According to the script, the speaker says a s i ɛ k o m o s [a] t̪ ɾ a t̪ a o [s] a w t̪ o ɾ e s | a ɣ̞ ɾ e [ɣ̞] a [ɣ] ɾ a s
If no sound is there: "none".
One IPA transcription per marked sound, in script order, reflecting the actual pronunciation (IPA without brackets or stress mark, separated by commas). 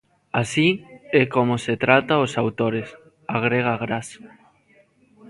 e, s, ɣ̞, ɣ